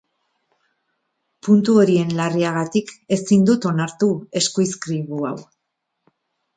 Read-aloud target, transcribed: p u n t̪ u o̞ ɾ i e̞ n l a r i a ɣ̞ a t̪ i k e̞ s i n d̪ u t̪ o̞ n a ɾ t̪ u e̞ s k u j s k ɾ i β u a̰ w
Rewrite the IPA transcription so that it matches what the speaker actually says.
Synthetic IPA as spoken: p u n t̪ u o̞ ɾ i e̞ n l a r i a ɣ̞ a t̪ i k e̞ s i n d̪ u t̪ o̞ n a ɾ t̪ u e̞ s k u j s k ɾ i β u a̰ w